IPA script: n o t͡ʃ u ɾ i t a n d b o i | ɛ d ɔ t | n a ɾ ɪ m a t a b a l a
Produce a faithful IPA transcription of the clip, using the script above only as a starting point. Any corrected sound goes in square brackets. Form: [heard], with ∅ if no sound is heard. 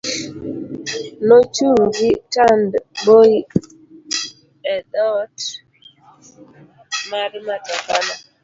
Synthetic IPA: n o t͡ʃ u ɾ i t a n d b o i | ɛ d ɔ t | [m] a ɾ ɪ m a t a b a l a